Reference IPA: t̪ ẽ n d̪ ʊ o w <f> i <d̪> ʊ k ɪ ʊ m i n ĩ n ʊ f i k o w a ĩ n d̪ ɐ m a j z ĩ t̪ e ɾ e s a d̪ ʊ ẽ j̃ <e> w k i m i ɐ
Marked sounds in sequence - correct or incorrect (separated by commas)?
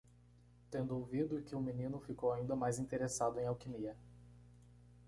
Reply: incorrect, correct, incorrect